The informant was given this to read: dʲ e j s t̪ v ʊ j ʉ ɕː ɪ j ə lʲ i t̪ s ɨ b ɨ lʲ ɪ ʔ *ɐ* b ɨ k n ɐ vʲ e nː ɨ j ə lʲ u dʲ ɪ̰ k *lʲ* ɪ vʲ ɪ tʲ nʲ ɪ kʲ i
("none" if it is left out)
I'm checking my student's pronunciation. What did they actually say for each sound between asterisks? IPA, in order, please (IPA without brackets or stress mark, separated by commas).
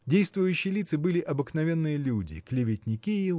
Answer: ɐ, lʲ